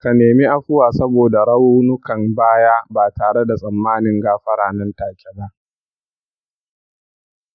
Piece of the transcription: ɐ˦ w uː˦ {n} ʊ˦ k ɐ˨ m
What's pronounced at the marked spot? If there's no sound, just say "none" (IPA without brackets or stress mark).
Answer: n